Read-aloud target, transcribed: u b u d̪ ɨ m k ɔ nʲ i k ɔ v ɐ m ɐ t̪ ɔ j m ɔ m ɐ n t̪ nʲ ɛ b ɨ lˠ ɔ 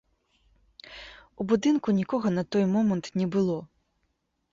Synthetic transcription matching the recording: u b u d̪ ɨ n k u nʲ i k ɔ ɣ ɐ n ɐ t̪ ɔ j m ɔ m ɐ n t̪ nʲ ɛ b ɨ lˠ ɔ

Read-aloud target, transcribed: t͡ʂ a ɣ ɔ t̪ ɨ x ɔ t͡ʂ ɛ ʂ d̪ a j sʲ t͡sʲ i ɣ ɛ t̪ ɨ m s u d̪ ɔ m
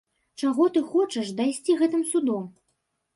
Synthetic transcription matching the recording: t͡ʂ a ɣ ɔ t̪ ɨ x ɔ t͡ʂ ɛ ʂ d̪ a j sʲ t͡sʲ i ɣ ɛ t̪ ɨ m s u d̪ ɔ m

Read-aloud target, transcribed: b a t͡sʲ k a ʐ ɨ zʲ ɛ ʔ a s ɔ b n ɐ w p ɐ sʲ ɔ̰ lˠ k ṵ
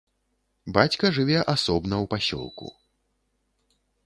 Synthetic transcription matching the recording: b a t͡sʲ k ɐ ʐ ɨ vʲ ɛ ʔ a s ɔ b n ɐ w p a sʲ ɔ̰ lˠ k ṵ

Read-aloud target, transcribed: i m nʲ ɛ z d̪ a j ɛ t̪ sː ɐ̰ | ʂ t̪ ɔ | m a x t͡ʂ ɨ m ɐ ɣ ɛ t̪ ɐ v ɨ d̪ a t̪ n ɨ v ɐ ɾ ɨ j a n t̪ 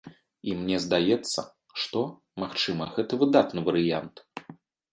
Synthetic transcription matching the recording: i m nʲ ɛ z d̪ a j ɛ t̪ sː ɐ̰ | ʂ t̪ ɔ | m a x t͡ʂ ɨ m ɐ ɣ ɛ t̪ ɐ v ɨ d̪ a t̪ n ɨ v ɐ ɾ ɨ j a n t̪

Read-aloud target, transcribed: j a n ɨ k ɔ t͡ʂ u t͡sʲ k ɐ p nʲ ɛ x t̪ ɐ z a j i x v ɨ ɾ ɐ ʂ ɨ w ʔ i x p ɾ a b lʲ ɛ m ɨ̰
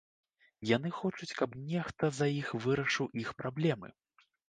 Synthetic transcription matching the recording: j a n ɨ x ɔ t͡ʂ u t͡sʲ k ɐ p nʲ ɛ x t̪ ɐ z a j i x v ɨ ɾ ɐ ʂ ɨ w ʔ i x p ɾ a b lʲ ɛ m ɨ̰

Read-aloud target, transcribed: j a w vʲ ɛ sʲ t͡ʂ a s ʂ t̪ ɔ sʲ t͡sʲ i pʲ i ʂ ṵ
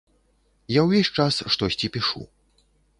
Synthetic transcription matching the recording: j a w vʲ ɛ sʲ t͡ʂ a s ʂ t̪ ɔ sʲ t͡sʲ i pʲ i ʂ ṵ

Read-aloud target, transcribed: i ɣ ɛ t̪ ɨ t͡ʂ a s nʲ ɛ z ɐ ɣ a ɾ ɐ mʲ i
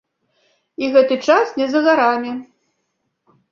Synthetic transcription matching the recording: i ɣ ɛ t̪ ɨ t͡ʂ a s nʲ ɛ z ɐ ɣ a ɾ a mʲ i

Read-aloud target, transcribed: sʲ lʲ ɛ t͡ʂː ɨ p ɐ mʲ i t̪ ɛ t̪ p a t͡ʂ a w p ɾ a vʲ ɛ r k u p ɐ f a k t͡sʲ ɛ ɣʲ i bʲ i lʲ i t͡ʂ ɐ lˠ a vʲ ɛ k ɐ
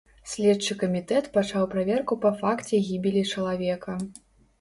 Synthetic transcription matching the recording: sʲ lʲ ɛ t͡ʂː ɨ k ɐ mʲ i t̪ ɛ t̪ p a t͡ʂ a w p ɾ a vʲ ɛ r k u p ɐ f a k t͡sʲ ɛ ɣʲ i bʲ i lʲ i t͡ʂ ɐ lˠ a vʲ ɛ k ɐ

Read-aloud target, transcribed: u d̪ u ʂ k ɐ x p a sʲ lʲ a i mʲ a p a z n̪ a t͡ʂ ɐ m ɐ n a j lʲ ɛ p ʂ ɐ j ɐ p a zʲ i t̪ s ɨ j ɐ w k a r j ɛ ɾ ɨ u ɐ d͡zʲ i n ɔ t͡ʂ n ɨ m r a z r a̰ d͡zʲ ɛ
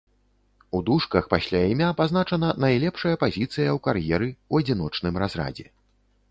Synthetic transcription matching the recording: u d̪ u ʂ k ɐ x p a sʲ lʲ a i mʲ a p a z n̪ a t͡ʂ ɐ n ɐ n a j lʲ ɛ p ʂ ɐ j ɐ p a zʲ i t̪ s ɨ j ɐ w k a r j ɛ ɾ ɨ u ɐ d͡zʲ i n ɔ t͡ʂ n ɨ m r a z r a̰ d͡zʲ ɛ

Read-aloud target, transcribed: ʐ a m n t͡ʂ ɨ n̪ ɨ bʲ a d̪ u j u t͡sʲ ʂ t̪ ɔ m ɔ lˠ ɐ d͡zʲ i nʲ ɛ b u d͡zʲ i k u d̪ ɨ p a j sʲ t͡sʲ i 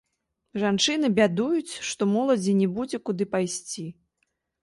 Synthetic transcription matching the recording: ʐ a n t͡ʂ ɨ n̪ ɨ bʲ a d̪ u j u t͡sʲ ʂ t̪ ɔ m ɔ lˠ ɐ d͡zʲ i nʲ ɛ b u d͡zʲ ɛ k u d̪ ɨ p a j sʲ t͡sʲ i

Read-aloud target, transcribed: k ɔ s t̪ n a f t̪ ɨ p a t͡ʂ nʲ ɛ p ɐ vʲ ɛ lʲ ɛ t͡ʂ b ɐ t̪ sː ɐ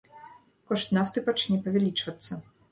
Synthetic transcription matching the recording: k ɔ ʂ t̪ n a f t̪ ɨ p a t͡ʂ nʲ ɛ p ɐ vʲ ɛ lʲ i t͡ʂ v ɐ t̪ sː ɐ

